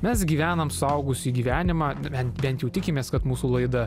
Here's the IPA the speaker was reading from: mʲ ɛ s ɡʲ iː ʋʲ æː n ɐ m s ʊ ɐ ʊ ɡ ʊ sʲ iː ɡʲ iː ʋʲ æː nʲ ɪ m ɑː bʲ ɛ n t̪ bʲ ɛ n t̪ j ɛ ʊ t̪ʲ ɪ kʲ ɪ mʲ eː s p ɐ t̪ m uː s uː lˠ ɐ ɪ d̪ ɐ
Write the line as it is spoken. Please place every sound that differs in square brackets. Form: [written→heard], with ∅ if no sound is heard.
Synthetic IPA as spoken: mʲ ɛ s ɡʲ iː ʋʲ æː n ɐ m s ʊ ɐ ʊ ɡ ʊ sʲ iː ɡʲ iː ʋʲ æː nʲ ɪ m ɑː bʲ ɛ n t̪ bʲ ɛ n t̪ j ɛ ʊ t̪ʲ ɪ kʲ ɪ mʲ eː s [p→k] ɐ t̪ m uː s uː lˠ ɐ ɪ d̪ ɐ